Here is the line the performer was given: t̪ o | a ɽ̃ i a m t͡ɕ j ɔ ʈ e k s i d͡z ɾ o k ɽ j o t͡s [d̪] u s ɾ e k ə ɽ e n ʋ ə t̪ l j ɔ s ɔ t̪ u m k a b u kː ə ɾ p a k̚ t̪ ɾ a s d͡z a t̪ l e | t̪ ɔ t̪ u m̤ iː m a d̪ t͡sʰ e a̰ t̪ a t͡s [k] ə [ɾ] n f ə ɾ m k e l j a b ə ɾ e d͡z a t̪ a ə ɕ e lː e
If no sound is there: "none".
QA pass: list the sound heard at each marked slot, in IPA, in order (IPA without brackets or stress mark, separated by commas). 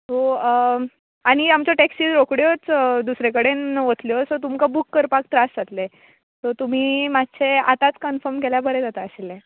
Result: d̪, k, none